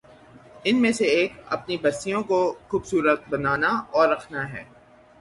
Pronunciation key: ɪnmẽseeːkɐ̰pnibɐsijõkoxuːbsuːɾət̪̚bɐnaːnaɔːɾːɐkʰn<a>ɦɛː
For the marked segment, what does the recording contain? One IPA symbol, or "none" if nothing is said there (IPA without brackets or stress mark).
a